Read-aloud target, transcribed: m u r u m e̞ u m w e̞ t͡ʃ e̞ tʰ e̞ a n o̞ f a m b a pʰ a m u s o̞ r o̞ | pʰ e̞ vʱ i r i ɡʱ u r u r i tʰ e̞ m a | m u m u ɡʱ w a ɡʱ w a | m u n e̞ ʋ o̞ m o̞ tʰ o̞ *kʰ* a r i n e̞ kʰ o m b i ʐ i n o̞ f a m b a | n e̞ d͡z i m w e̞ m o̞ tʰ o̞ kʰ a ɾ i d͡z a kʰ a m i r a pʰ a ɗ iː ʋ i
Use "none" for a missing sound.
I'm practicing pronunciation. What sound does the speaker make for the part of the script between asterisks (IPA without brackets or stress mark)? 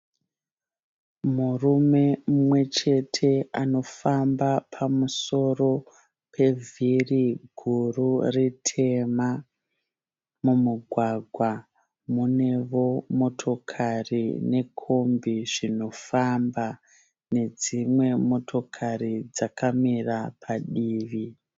kʰ